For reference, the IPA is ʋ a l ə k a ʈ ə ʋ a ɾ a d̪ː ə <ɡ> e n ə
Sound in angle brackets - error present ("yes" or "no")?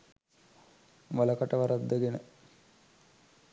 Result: no